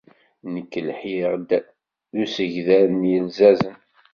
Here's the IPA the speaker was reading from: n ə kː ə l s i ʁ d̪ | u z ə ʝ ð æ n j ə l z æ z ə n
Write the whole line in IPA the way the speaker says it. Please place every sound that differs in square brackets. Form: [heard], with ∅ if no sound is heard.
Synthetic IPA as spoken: n ə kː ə l [ħ] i ʁ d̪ | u [s] ə ʝ ð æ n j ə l z æ z ə n